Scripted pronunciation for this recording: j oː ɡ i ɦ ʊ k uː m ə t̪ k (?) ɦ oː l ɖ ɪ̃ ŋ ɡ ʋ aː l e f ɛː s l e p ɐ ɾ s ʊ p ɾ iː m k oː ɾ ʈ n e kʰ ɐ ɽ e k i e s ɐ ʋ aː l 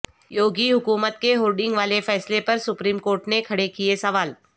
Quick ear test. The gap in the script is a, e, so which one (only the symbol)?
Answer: e